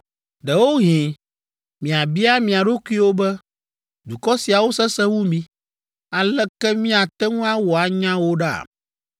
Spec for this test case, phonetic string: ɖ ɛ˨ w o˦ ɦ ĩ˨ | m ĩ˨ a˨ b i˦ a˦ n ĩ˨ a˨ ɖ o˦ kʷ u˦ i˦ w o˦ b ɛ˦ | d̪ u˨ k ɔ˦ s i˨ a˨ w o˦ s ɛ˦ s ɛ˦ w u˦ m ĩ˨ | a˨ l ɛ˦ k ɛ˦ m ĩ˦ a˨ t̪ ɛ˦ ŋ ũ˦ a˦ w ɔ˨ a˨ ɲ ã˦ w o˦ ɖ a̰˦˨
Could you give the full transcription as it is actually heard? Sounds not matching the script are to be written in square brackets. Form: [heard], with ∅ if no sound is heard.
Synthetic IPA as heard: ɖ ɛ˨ w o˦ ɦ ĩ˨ | m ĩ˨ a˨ b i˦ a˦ [m] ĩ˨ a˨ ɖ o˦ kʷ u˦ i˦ w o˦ b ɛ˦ | d̪ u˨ k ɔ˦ s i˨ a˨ w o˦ s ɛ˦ s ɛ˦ w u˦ m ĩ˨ | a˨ l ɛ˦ k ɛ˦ m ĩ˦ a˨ t̪ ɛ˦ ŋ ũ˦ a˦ w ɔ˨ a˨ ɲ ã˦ w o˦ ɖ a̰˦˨